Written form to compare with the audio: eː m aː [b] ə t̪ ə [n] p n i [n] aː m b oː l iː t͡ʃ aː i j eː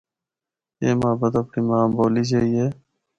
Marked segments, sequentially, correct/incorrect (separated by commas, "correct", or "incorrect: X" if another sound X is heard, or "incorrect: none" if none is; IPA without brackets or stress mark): correct, incorrect: none, incorrect: m